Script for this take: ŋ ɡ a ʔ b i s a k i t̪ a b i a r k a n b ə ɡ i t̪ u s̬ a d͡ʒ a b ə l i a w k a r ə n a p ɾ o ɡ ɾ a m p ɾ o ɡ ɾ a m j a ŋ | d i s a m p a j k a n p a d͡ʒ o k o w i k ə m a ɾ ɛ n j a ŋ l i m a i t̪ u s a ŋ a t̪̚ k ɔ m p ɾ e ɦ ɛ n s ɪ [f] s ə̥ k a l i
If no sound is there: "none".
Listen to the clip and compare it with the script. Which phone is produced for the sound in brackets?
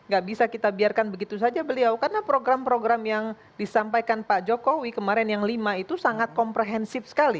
f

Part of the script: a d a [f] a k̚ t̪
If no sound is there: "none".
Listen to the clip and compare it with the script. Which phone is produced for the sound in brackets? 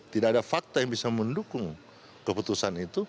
f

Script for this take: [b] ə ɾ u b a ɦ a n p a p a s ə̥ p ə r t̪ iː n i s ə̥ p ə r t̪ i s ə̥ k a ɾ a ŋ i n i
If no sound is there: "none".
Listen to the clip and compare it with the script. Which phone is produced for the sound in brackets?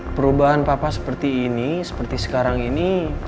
p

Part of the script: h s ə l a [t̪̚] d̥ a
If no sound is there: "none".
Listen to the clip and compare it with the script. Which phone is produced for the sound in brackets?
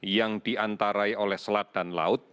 t̪̚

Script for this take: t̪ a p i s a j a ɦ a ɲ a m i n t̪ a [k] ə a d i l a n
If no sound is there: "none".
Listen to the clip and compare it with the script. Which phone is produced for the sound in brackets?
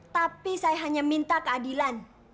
k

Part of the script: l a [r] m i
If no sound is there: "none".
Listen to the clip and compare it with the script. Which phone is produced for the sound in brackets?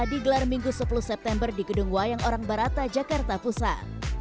r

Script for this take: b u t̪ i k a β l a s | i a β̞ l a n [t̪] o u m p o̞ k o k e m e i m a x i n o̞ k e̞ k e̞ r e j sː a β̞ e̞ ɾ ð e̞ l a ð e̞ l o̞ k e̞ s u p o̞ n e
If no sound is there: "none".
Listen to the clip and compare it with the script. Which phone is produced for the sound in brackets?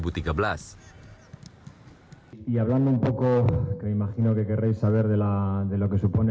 d̪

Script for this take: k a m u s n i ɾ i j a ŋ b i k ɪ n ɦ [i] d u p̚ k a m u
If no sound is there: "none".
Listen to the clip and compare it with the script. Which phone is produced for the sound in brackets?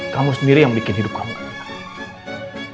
i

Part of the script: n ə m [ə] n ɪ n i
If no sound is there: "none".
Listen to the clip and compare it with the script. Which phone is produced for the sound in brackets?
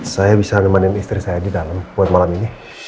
a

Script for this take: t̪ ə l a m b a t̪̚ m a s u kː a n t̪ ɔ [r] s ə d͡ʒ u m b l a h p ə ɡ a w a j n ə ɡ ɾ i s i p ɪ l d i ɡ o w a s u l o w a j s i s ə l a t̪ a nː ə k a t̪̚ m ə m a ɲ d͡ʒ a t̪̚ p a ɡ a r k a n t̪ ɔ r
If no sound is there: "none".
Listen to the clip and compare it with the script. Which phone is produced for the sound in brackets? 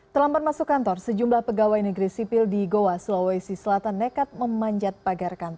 r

